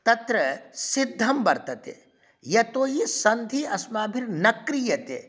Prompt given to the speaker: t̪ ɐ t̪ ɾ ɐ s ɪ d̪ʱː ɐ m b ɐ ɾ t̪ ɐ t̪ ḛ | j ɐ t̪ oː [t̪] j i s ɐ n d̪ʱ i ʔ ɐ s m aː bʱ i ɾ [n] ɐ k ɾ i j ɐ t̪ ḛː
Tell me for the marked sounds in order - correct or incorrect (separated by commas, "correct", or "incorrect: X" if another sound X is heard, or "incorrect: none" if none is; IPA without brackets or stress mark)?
incorrect: none, correct